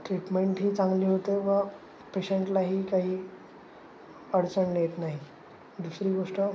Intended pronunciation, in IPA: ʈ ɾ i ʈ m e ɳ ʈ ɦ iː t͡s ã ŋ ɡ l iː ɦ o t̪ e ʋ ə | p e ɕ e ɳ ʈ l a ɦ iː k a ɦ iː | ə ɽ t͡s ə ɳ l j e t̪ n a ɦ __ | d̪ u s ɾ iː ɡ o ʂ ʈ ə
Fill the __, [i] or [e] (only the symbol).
i